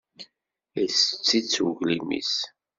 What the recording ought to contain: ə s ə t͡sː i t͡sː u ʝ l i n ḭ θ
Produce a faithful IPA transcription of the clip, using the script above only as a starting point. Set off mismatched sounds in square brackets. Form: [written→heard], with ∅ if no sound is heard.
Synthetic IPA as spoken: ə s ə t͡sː i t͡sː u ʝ l i [n→m] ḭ [θ→s]